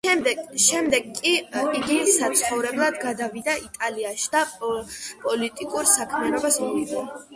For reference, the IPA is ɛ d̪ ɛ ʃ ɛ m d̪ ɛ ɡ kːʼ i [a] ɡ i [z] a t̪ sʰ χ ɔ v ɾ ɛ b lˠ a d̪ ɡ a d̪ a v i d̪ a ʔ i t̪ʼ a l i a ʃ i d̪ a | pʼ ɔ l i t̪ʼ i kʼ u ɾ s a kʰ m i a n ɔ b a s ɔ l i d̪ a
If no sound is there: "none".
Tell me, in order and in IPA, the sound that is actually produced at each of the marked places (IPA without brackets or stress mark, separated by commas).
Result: i, s